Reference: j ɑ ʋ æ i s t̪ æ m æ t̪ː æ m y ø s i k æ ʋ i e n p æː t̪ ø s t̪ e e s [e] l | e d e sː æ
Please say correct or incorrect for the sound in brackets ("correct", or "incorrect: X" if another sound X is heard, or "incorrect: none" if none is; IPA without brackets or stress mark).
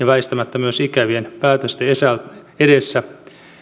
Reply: incorrect: æ